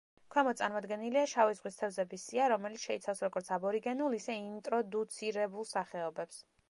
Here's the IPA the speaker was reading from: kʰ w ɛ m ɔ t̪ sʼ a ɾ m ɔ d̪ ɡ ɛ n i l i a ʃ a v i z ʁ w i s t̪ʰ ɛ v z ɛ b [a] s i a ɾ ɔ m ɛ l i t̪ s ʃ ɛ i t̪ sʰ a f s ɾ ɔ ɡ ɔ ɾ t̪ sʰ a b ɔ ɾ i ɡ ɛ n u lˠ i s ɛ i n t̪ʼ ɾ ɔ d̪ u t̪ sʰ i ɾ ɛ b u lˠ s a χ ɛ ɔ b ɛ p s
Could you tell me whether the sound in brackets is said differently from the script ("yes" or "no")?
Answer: yes